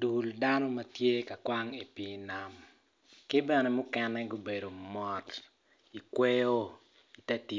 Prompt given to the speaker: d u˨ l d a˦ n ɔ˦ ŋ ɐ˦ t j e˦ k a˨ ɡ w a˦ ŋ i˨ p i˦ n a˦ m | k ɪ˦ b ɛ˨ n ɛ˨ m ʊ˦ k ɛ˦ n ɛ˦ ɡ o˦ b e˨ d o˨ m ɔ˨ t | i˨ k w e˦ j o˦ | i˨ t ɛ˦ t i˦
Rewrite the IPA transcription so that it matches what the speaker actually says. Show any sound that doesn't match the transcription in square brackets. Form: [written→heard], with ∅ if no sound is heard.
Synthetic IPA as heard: d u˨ l d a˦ n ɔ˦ [ŋ→m] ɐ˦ t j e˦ k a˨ [ɡ→k] w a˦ ŋ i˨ p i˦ n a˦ m | k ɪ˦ b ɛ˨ n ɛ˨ m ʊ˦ k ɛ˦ n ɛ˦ ɡ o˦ b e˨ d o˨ m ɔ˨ t | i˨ k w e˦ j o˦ | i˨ t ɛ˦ t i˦